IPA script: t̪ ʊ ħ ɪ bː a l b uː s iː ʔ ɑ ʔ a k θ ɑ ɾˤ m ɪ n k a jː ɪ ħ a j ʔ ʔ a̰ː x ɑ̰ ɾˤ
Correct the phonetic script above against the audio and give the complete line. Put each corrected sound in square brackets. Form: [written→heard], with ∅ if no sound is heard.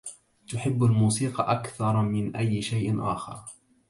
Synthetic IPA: t̪ ʊ ħ ɪ bː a l [b→m] uː s iː [ʔ→q] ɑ ʔ a k θ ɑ ɾˤ m ɪ n [k→ʔ] a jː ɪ [ħ→ʃ] a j ʔ ʔ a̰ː x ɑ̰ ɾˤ